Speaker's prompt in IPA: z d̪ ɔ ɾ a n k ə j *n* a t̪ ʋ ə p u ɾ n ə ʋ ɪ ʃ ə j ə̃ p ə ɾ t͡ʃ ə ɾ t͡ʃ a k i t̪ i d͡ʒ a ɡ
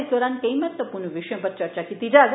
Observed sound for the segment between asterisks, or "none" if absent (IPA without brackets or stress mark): m